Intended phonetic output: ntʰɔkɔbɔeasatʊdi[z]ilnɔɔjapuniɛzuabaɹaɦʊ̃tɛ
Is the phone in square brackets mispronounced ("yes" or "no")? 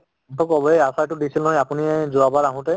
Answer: yes